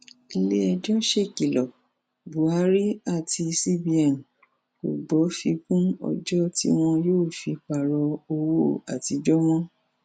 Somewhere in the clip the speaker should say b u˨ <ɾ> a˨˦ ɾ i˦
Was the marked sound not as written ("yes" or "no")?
yes